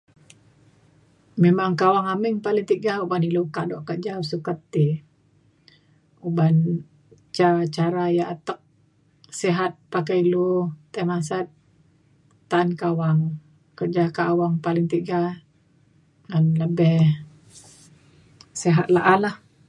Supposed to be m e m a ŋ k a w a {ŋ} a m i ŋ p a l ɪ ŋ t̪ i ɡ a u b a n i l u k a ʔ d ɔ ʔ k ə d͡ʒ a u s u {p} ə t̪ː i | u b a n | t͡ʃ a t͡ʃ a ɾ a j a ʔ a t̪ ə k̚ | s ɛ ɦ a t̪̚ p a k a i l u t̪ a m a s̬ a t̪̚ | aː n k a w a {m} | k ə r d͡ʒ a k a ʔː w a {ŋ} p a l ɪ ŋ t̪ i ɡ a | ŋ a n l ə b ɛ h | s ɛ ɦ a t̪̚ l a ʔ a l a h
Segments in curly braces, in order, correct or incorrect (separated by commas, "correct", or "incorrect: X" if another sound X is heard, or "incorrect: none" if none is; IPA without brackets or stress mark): correct, incorrect: k, incorrect: ŋ, correct